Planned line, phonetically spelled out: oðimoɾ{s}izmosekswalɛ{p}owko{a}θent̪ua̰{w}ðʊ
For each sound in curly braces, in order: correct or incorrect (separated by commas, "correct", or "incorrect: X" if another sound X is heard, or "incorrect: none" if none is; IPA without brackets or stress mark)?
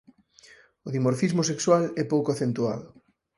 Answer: incorrect: f, correct, correct, incorrect: none